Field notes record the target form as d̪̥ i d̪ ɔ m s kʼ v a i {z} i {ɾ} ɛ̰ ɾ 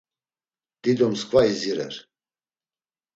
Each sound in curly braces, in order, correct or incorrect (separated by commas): correct, correct